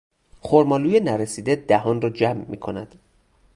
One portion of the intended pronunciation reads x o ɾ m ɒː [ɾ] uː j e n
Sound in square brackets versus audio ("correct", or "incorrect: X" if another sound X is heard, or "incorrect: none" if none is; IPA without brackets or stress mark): incorrect: l